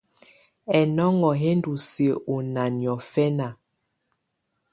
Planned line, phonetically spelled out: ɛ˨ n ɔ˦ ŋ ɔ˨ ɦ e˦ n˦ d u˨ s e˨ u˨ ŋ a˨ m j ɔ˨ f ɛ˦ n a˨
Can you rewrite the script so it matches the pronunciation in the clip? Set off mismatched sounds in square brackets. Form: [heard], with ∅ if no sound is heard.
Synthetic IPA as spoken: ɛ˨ n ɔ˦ ŋ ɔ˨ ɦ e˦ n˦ d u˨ s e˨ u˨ [n] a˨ [n] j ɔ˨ f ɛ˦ n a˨